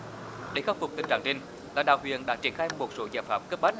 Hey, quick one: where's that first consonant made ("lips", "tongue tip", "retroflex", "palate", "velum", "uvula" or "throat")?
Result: tongue tip